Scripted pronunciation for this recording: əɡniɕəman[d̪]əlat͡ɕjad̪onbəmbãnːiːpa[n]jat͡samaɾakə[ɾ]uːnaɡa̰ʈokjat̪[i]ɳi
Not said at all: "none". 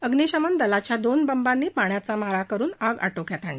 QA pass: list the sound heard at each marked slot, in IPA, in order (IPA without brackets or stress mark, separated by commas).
d̪, ɳ, ɾ, a